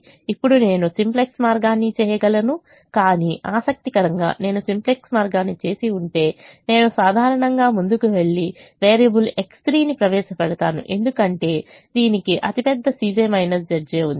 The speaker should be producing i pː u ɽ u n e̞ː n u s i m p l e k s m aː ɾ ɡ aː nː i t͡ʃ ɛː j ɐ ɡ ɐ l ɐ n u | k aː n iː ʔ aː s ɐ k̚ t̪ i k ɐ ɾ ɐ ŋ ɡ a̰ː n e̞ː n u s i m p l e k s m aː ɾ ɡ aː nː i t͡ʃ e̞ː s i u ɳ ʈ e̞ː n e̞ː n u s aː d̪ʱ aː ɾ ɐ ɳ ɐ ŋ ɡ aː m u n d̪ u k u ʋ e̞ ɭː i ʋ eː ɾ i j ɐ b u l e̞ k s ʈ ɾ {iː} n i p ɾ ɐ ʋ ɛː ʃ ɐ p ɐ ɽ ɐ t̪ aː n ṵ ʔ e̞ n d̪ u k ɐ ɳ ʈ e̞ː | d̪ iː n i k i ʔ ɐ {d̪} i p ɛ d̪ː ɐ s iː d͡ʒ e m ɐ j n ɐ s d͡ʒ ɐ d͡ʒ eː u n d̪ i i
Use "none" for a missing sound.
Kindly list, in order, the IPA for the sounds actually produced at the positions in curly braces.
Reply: iː, t̪

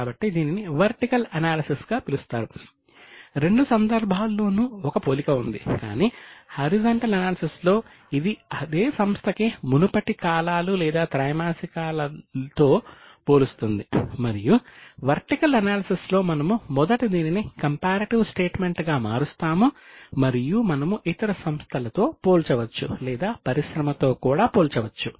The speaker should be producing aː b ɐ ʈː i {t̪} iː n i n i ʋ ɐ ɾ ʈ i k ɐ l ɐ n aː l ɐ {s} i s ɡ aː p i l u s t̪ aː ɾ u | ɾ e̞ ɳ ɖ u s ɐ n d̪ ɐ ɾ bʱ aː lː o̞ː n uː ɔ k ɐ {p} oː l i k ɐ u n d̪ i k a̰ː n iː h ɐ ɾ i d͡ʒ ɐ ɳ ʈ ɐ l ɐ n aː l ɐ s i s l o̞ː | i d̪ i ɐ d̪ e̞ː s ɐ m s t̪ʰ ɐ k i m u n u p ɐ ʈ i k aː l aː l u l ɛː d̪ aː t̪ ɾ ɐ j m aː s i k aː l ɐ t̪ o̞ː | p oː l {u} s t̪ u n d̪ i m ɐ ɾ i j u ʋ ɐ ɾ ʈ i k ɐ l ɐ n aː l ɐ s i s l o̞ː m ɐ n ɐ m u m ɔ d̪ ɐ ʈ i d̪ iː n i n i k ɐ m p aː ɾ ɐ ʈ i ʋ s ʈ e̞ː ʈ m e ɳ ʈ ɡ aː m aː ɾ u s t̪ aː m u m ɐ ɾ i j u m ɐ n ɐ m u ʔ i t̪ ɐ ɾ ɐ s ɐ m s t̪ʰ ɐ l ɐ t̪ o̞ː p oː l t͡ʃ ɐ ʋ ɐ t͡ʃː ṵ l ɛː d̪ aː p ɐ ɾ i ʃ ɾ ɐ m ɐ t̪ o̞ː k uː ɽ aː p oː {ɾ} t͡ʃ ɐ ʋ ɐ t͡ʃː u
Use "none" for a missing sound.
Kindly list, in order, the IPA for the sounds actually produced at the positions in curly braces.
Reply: d̪, s, p, u, l

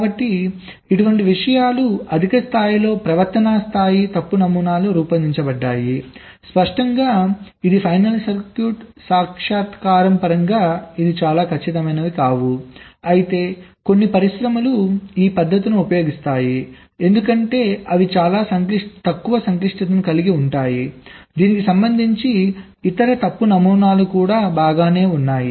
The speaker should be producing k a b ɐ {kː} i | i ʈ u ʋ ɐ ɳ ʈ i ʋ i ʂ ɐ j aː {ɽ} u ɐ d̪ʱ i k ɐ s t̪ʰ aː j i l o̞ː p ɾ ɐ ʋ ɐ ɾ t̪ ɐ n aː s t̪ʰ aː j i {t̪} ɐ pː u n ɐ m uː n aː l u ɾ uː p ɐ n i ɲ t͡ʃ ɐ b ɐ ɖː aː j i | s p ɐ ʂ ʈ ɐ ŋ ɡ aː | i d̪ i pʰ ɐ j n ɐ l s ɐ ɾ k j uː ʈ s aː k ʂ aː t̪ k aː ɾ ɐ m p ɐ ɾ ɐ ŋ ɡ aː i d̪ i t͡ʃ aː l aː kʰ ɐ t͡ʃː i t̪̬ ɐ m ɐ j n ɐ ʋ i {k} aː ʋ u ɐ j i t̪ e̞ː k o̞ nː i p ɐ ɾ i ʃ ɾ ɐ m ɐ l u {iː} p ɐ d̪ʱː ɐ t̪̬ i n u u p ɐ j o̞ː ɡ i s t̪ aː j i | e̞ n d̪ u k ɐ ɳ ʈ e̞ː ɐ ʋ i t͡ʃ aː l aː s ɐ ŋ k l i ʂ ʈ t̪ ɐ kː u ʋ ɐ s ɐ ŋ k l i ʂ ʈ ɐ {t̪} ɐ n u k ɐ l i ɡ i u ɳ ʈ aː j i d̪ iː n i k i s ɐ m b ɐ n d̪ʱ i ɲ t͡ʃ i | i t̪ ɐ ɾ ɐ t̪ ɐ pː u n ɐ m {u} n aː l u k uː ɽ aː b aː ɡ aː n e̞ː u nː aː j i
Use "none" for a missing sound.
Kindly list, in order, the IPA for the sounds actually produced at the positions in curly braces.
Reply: ʈː, l, t̪, k, iː, t̪, uː

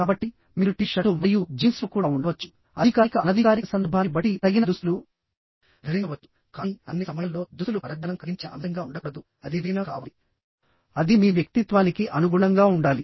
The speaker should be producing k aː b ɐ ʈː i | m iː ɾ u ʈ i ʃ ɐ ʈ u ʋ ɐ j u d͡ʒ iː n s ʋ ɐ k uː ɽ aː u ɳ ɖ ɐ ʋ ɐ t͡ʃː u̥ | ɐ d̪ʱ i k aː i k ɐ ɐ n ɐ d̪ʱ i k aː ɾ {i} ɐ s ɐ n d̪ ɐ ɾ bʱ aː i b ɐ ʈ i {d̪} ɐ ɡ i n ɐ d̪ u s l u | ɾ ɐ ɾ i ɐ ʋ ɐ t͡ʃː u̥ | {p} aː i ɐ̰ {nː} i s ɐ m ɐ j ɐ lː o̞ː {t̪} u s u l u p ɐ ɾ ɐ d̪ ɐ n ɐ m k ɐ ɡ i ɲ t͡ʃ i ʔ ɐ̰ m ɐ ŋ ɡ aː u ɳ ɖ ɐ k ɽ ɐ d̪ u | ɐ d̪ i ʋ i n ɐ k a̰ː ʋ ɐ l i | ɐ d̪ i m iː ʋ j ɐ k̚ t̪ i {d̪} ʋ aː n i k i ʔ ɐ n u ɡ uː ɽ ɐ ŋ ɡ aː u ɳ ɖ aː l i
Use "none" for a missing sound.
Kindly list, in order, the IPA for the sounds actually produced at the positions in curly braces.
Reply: i, t̪, k, nː, d̪, t̪

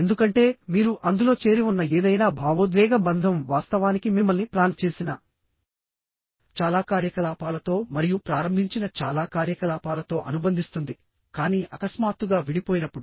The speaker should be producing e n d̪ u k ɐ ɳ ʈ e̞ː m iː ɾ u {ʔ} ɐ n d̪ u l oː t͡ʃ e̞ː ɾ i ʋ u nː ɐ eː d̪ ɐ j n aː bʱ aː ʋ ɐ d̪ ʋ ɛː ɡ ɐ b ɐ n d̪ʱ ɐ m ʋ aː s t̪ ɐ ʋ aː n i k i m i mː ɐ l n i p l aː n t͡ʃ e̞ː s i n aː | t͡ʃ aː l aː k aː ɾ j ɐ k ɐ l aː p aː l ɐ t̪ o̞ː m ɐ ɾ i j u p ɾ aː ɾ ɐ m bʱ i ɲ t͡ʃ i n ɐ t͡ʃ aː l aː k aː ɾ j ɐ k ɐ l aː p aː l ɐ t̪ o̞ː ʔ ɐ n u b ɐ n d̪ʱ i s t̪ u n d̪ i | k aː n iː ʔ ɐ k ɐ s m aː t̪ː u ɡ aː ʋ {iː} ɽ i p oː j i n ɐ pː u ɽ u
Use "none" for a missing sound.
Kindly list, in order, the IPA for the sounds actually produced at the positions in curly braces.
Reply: ʔ, i

